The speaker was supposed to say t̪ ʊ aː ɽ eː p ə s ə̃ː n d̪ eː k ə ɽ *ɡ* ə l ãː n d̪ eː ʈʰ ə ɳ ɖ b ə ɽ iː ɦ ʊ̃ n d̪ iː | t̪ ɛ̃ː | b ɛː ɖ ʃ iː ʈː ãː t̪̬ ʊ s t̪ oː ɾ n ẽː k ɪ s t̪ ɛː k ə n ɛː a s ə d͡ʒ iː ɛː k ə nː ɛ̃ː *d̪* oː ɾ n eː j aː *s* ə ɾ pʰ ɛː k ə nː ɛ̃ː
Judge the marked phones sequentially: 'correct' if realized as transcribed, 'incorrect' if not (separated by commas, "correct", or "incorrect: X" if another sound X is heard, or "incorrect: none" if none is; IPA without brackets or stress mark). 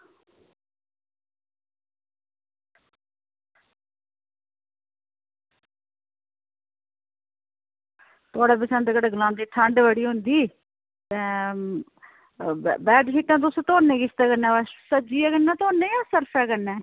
correct, incorrect: t̪, correct